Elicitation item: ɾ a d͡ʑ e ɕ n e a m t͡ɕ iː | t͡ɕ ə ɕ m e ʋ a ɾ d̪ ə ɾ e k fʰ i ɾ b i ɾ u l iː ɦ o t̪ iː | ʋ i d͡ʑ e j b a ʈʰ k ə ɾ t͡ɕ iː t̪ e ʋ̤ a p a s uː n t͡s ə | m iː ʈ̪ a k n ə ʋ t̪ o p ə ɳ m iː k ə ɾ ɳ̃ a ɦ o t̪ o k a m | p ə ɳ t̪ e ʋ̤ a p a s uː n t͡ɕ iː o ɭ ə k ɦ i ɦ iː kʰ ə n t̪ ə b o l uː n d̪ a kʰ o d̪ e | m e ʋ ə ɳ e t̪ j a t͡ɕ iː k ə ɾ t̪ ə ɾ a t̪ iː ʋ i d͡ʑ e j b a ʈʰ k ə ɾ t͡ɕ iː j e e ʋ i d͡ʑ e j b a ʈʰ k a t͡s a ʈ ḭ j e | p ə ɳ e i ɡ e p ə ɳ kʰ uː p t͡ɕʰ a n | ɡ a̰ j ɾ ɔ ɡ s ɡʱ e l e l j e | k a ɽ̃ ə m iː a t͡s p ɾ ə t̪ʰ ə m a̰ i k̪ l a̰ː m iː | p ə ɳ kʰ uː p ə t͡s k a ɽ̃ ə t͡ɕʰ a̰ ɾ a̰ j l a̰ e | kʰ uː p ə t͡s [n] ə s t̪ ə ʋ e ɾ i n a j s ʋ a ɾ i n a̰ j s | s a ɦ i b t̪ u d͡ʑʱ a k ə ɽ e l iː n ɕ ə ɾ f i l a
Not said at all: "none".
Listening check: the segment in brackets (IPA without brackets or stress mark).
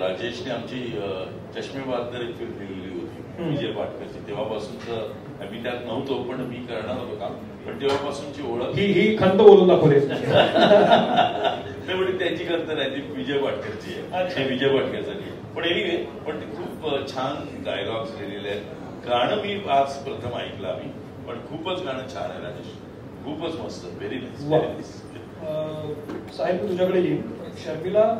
m